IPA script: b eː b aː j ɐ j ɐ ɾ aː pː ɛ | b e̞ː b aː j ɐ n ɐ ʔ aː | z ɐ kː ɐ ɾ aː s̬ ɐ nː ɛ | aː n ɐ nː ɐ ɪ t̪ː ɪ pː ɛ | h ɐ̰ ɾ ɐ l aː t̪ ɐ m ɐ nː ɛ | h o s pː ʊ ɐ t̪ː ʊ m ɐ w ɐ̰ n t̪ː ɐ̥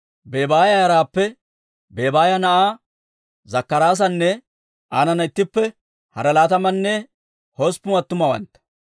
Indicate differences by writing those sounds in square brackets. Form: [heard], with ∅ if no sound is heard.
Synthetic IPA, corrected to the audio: b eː b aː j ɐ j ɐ ɾ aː pː ɛ | b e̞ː b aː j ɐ n ɐ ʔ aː | z ɐ kː ɐ ɾ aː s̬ ɐ nː ɛ | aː n ɐ [n] ɐ ɪ t̪ː ɪ pː ɛ | h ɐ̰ ɾ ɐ l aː t̪ ɐ m ɐ nː ɛ | h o s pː ʊ ɐ t̪ː ʊ m ɐ w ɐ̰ n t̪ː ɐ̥